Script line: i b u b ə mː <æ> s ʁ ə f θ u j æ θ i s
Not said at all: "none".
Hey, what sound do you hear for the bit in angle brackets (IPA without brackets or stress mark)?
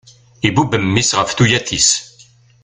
i